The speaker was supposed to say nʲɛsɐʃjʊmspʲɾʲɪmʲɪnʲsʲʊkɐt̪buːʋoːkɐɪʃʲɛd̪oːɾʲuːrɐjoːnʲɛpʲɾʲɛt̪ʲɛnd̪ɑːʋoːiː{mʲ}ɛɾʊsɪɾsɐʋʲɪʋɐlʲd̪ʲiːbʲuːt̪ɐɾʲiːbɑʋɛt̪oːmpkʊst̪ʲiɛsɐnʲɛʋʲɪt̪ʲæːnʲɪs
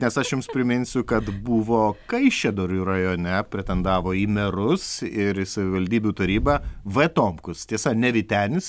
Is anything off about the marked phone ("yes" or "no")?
no